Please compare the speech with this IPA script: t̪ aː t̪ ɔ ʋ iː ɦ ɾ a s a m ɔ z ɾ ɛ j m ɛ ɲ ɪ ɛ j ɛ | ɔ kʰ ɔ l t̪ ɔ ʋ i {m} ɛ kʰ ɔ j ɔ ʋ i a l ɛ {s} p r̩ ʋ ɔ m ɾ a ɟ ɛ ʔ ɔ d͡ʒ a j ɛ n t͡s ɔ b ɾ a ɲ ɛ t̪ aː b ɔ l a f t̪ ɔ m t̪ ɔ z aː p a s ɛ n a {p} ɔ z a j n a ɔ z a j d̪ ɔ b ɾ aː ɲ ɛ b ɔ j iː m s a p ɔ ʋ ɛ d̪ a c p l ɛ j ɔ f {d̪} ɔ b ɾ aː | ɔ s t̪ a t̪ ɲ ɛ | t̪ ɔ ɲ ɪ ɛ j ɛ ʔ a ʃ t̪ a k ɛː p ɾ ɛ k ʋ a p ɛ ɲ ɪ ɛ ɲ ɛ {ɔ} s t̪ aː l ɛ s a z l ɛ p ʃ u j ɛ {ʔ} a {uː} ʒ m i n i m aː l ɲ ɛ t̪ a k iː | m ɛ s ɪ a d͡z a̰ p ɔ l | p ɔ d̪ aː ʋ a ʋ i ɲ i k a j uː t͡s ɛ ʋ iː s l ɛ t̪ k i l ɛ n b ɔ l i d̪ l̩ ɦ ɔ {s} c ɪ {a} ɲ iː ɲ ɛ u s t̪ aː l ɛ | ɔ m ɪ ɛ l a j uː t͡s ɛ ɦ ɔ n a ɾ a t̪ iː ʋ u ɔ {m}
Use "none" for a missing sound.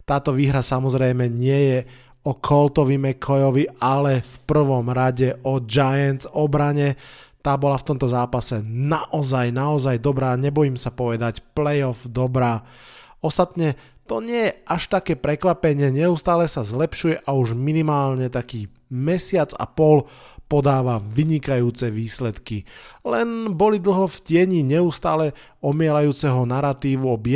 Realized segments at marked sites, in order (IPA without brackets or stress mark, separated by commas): m, f, ʔ, d̪, u, ʔ, u, f, ɛ, b